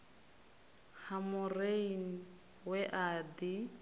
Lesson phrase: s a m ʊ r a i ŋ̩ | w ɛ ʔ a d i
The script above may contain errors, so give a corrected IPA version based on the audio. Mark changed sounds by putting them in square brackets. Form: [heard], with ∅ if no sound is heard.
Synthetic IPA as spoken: [h] a m ʊ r [e] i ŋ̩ | w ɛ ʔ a d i